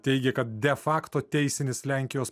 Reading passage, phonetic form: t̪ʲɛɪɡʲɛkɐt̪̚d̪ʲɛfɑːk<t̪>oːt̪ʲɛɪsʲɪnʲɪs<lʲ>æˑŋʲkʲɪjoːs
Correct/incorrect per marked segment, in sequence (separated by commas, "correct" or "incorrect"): correct, correct